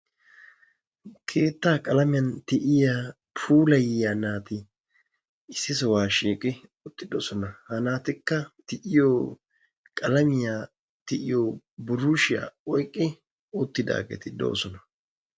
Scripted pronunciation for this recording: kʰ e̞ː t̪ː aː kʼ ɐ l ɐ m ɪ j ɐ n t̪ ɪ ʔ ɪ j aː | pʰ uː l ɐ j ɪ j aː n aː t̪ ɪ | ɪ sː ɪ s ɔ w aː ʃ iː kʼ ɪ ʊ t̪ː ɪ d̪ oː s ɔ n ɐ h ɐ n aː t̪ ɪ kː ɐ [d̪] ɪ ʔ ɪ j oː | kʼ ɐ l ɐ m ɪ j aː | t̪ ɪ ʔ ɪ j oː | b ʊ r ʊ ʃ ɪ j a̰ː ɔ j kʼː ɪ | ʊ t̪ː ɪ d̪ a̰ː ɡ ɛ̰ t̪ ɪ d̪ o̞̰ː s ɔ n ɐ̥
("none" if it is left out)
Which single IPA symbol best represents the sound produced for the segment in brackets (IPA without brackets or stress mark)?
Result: t̪